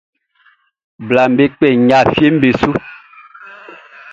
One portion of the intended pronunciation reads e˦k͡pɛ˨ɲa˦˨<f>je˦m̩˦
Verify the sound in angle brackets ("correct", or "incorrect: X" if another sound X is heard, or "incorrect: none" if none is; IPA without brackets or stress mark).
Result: correct